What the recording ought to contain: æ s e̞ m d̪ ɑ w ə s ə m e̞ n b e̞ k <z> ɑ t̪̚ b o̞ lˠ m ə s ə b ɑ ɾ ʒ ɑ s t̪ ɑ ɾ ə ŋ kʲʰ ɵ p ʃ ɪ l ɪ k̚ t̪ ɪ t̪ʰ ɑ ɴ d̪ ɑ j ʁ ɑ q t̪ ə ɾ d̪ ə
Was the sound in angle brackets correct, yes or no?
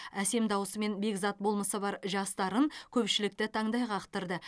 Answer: yes